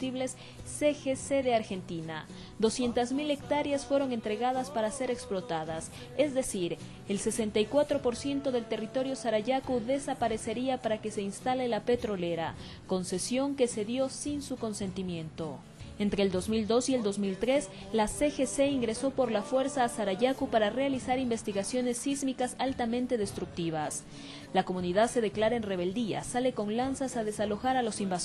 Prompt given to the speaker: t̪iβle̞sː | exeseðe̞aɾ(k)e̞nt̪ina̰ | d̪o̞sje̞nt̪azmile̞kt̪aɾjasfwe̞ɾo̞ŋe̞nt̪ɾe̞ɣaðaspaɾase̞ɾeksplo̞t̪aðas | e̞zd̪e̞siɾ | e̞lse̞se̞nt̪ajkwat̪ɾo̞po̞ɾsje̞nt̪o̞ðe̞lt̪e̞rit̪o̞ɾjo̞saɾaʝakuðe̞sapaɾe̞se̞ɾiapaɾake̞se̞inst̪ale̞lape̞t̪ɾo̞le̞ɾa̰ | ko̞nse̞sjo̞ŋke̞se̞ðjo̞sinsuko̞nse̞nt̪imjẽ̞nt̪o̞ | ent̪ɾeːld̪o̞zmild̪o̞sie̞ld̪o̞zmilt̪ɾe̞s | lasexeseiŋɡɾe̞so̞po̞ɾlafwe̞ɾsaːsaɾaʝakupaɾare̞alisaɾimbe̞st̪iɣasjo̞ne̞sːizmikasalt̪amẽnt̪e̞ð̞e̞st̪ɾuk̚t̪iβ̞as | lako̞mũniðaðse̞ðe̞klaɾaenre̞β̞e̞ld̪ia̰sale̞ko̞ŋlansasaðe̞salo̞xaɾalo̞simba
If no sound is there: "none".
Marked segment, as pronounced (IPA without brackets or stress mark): x